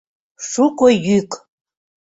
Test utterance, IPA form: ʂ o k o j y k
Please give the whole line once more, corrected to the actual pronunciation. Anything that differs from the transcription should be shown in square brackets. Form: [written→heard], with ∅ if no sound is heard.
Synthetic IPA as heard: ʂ [o→u] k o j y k